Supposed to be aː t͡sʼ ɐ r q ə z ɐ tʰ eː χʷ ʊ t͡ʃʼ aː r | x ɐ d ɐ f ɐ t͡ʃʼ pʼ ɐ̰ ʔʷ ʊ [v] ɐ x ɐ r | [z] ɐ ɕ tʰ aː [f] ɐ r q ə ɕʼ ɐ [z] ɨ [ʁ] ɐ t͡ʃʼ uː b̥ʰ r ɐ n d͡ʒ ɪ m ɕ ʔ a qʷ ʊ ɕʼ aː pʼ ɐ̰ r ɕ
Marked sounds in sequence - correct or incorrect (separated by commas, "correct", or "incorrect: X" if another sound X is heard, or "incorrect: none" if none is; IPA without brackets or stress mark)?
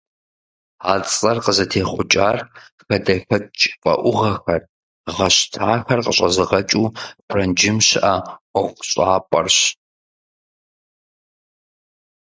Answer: incorrect: ʁ, incorrect: ʁ, incorrect: x, correct, correct